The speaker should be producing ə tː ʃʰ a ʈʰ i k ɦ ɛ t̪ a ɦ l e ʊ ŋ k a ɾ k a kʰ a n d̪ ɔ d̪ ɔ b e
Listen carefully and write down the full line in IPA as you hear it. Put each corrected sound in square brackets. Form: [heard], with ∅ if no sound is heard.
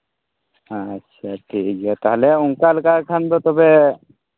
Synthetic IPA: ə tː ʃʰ a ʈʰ i k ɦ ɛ t̪ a ɦ l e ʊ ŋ k a [l] k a kʰ a n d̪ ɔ [t̪] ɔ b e